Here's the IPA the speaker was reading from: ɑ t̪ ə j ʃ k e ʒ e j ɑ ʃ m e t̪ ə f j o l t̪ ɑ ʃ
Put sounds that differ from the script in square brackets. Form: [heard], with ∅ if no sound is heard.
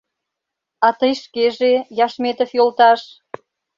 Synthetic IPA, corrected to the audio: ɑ t̪ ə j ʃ k e ʒ e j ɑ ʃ m e t̪ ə f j o l t̪ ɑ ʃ